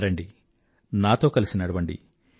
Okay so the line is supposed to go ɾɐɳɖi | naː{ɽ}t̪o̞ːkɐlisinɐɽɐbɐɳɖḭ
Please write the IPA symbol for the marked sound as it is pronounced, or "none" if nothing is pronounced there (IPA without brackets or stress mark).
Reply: none